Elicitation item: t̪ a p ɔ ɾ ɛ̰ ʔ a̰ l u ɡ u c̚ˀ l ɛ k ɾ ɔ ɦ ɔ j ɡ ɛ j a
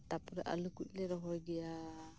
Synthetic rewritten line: t̪ a p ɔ ɾ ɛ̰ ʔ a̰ l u k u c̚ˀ l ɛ ɾ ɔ ɦ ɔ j ɡ ɛ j a